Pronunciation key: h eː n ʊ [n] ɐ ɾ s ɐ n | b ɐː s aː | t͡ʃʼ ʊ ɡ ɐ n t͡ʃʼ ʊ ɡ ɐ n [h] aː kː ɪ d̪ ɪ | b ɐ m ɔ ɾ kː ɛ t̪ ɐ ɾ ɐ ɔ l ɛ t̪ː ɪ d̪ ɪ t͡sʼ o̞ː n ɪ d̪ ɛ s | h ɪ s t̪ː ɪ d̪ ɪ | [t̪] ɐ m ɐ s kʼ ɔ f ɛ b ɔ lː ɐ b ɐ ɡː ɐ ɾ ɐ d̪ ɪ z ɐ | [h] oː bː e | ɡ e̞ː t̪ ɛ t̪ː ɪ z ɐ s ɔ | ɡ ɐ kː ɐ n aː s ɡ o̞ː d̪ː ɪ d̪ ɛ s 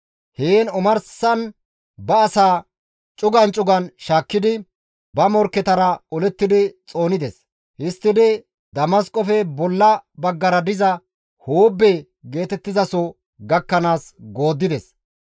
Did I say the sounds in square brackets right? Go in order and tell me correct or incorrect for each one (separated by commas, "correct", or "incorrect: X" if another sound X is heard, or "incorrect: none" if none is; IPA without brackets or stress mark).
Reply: incorrect: m, incorrect: ʃ, incorrect: d̪, correct